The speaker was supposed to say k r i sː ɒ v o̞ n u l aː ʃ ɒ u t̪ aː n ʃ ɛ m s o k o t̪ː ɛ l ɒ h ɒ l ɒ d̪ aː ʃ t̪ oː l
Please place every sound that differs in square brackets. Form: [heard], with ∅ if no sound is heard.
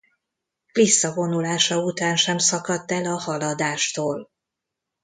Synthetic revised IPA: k [l] i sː ɒ v o̞ n u l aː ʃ ɒ u t̪ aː n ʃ ɛ m s [ɒ] k [ɒ] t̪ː ɛ l ɒ h ɒ l ɒ d̪ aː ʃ t̪ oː l